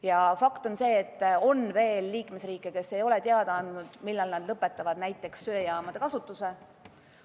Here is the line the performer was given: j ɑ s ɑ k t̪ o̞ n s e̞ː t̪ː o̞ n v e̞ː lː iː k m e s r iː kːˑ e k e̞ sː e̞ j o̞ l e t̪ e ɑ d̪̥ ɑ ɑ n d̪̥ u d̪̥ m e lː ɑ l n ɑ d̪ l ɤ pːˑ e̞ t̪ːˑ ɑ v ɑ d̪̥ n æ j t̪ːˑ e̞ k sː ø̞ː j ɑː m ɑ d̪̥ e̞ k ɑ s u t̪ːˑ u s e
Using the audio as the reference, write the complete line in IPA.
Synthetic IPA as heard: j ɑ f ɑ k t̪ o̞ n s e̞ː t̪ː o̞ n v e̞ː lː iː k m e s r iː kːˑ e k e̞ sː e̞ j o̞ l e t̪ e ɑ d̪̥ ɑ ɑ n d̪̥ u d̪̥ m i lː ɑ l n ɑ d̪ l ɤ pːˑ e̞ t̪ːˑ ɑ v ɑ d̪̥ n æ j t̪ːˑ e̞ k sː ø̞ː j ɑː m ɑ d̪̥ e̞ k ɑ s u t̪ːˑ u s e

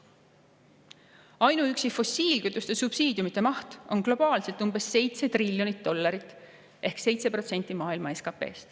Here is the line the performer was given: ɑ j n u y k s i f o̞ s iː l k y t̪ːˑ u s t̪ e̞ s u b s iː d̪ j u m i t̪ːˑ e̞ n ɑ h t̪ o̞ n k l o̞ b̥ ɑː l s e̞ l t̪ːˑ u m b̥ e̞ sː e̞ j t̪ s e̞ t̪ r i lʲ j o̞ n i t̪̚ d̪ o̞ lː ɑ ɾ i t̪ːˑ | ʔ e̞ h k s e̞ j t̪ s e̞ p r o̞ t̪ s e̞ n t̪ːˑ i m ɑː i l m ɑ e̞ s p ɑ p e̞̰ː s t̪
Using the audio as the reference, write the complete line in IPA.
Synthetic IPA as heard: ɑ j n u y k s i f o̞ s iː l k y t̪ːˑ u s t̪ e̞ s u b s iː d̪ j u m i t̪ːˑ e̞ m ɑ h t̪ o̞ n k l o̞ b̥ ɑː l s e̞ l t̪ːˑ u m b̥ e̞ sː e̞ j t̪ s e̞ t̪ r i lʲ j o̞ n i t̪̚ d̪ o̞ lː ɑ ɾ i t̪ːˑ | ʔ e̞ h k s e̞ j t̪ s e̞ p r o̞ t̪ s e̞ n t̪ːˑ i m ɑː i l m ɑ e̞ s k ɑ p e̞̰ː s t̪

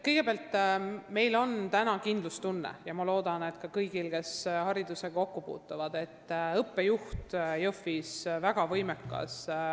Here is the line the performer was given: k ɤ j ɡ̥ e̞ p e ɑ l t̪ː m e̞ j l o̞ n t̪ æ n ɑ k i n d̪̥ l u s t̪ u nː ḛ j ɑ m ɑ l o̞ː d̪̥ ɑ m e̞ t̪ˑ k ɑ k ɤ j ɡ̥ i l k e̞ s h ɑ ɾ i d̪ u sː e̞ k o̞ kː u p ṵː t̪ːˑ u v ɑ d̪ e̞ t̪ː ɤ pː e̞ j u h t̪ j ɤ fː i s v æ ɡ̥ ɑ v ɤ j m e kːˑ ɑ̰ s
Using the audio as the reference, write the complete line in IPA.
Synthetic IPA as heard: k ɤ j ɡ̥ e̞ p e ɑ l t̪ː m e̞ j l o̞ n t̪ æ n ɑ k i n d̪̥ l u s t̪ u nː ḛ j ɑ m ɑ l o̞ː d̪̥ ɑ n e̞ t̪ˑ k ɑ k ɤ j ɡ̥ i l k e̞ s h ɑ ɾ i d̪ u s e̞ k o̞ kː u p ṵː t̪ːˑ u v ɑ d̪ e̞ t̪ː ɤ pː e̞ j u h t̪ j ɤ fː i s v æ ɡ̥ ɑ v ɤ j m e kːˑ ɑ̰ s

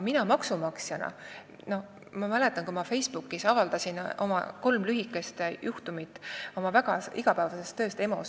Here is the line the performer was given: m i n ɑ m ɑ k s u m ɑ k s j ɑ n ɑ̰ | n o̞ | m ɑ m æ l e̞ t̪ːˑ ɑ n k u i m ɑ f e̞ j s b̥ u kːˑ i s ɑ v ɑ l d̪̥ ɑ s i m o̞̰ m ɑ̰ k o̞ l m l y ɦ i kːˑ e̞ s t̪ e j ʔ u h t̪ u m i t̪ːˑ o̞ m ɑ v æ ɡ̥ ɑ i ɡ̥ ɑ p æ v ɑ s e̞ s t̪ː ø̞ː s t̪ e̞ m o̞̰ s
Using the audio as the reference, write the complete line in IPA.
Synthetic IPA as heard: m i n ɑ m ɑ k s u m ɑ k s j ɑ n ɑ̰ | n o̞ | m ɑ m æ l e̞ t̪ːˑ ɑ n k u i m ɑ f e̞ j s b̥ u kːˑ i s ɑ v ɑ l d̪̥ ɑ s i n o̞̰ m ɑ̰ k o̞ l m l y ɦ i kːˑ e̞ s t̪ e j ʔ u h t̪ u m i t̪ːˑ o̞ m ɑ v æ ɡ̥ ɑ i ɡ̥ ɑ p æ v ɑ s e̞ s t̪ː ø̞ː s t̪ e̞ m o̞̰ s

